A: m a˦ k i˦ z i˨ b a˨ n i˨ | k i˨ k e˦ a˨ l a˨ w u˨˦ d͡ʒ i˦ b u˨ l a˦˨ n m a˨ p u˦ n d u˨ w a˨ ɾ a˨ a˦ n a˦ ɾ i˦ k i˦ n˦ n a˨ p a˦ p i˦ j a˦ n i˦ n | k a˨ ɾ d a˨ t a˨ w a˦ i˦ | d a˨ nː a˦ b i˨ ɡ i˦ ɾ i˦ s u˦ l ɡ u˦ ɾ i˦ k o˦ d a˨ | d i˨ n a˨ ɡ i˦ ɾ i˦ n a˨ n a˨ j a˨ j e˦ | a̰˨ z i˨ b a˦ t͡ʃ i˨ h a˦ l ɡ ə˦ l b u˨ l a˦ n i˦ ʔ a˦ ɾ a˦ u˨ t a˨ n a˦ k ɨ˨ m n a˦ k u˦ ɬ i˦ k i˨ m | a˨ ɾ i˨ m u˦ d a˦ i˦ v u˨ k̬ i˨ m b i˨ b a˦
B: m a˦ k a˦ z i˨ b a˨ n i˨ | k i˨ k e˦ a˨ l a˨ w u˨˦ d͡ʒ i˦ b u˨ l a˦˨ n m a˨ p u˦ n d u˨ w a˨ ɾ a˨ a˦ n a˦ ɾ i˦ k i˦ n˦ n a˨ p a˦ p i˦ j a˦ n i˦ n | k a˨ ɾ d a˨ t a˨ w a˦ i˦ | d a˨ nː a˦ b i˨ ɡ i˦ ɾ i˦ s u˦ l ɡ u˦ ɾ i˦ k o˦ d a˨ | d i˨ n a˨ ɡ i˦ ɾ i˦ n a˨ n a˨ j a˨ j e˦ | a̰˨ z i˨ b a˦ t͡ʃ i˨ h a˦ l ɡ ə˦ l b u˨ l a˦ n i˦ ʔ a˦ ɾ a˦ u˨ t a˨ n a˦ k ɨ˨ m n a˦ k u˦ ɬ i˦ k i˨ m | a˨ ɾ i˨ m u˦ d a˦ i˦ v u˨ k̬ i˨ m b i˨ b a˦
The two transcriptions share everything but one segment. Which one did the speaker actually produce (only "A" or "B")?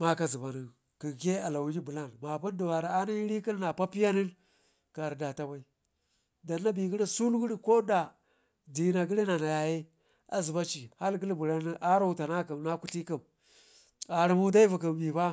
B